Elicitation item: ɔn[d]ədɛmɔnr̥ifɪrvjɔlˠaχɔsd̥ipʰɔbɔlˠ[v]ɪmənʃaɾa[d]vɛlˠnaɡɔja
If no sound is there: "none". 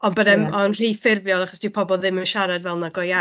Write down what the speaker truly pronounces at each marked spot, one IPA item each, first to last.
b, ð, d

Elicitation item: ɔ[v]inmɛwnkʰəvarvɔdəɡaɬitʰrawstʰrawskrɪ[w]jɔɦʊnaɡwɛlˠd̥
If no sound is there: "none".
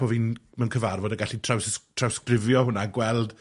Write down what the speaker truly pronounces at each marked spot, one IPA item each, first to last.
v, v

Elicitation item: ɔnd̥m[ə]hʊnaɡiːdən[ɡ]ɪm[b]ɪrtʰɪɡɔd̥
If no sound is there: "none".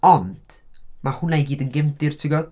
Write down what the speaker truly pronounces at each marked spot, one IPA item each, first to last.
a, ɡ, d

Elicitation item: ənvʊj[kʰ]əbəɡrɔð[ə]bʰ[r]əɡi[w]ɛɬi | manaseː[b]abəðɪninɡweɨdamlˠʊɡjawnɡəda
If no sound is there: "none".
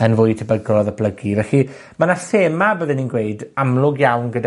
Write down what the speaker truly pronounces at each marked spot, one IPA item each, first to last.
tʰ, ə, l, v, m

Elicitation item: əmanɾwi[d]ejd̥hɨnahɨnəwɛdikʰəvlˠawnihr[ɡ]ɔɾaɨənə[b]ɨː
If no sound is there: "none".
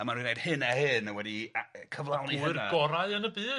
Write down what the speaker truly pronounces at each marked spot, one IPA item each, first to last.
n, ɡ, b

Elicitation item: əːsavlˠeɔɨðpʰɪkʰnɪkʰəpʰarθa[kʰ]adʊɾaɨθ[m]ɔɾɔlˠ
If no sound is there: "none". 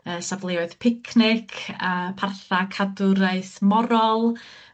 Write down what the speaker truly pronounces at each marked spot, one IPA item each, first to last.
kʰ, m

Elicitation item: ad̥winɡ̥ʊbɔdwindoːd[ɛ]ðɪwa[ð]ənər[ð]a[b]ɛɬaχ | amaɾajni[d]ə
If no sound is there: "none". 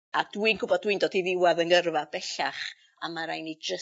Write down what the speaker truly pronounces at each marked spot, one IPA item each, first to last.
i, ð, v, b, d͡ʒ

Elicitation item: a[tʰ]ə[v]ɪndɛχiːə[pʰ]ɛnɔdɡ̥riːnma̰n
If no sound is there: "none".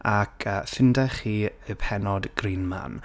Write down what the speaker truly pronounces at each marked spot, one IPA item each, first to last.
kʰ, f, pʰ

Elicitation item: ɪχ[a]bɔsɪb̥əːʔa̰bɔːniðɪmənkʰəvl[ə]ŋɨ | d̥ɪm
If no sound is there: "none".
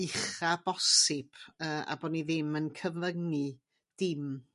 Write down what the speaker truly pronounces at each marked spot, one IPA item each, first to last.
a, ə

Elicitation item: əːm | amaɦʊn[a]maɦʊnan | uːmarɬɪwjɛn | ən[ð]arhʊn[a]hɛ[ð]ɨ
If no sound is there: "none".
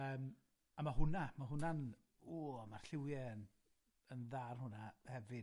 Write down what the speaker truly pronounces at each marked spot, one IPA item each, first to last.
a, ð, a, v

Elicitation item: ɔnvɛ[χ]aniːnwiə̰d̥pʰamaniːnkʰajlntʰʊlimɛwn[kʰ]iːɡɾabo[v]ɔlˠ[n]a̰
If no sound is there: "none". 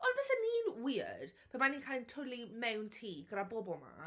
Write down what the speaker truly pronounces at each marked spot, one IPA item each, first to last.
s, tʰ, b, m

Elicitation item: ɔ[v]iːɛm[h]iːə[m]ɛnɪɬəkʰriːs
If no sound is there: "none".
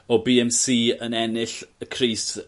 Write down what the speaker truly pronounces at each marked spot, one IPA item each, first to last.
b, s, n

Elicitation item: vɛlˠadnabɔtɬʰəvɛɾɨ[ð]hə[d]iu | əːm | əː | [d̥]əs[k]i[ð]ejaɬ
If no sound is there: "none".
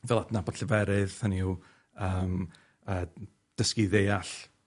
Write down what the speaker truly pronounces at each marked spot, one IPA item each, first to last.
ð, n, d̥, k, ð

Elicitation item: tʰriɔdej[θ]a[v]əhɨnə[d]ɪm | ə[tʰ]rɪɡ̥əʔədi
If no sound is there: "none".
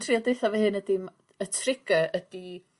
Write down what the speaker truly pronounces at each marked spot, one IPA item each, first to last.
θ, v, d, tʰ

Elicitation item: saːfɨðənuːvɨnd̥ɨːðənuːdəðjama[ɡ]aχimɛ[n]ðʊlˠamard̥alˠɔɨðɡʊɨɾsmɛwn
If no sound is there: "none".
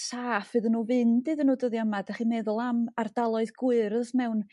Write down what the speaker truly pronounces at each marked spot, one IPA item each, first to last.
d, none

